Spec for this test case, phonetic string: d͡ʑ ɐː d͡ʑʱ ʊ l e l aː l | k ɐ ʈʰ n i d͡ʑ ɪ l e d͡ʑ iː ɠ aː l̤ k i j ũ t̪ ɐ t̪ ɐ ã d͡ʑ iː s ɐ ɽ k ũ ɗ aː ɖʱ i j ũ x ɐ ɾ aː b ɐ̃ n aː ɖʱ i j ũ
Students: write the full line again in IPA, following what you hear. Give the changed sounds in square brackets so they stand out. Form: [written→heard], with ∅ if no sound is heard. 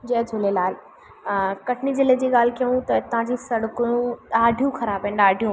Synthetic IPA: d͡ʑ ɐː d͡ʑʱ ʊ l e l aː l | k ɐ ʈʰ n i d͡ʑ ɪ l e d͡ʑ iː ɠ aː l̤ k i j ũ t̪ ɐ t̪ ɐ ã d͡ʑ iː s ɐ ɽ k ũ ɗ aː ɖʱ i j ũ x ɐ ɾ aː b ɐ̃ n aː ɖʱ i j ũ